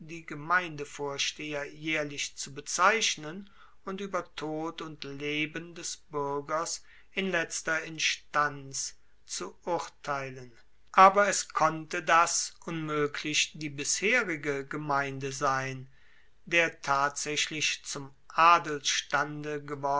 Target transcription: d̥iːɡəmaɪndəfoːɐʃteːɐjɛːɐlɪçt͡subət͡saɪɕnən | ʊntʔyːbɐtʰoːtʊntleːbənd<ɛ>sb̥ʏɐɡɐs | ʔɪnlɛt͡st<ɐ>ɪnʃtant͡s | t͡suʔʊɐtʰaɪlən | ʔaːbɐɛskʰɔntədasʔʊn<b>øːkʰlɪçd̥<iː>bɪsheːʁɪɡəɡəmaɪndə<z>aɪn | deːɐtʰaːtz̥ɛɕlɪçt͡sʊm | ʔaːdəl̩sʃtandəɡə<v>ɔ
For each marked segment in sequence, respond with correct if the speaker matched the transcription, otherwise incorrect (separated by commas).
correct, correct, incorrect, correct, correct, correct